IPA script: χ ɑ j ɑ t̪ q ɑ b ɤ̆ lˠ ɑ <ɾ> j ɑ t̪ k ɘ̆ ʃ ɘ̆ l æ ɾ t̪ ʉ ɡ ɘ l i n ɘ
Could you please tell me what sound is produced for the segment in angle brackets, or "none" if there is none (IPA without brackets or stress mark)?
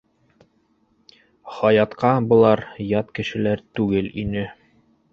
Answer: ɾ